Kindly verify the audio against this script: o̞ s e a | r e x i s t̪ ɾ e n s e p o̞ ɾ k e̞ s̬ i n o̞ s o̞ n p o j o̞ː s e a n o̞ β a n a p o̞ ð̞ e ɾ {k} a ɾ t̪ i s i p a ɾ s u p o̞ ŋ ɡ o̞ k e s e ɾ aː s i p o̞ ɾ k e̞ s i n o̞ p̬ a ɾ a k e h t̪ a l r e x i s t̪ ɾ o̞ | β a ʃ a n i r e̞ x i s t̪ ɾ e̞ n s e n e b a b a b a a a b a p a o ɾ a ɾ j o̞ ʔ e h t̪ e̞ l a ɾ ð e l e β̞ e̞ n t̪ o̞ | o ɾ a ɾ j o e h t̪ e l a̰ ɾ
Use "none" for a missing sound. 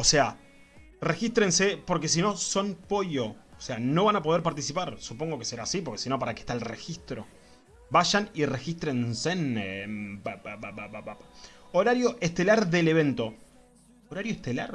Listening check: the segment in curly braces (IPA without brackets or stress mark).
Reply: p